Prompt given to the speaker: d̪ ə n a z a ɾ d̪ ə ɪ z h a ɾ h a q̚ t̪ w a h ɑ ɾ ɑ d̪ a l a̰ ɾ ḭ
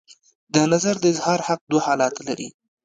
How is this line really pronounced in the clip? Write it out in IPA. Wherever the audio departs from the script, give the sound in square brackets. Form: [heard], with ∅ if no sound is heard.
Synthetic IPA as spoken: d̪ ə n a z a ɾ d̪ ə ɪ z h [ɑ] ɾ h a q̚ [d̪] w a h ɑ [l] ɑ [t̪] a l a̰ ɾ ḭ